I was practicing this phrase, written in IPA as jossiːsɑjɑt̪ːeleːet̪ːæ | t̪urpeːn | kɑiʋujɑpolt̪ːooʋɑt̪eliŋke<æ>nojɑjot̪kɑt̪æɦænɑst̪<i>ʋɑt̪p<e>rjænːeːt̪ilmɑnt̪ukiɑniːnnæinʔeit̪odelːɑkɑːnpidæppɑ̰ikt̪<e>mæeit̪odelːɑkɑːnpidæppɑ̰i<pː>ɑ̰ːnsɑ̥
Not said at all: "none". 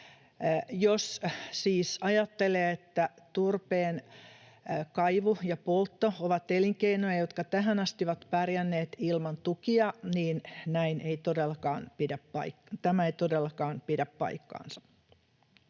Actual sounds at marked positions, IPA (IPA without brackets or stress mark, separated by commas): i, i, æ, æ, kː